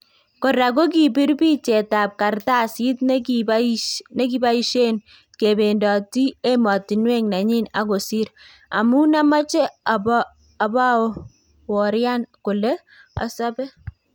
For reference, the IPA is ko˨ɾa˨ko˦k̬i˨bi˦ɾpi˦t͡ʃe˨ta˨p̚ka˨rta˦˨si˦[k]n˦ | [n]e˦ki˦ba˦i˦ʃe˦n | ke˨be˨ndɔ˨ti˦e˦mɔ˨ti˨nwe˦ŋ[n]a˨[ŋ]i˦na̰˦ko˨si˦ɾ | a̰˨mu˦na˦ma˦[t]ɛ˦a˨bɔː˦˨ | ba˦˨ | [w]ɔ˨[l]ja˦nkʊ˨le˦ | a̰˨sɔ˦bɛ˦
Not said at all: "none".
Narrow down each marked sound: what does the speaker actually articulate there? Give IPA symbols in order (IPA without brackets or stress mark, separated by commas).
t, n, n, ɲ, t͡ʃ, w, ɾ